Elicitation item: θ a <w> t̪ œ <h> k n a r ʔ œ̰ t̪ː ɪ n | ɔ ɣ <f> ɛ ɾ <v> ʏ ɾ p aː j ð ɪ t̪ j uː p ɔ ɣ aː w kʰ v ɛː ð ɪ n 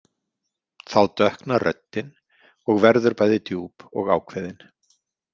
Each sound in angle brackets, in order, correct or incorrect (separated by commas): correct, correct, incorrect, incorrect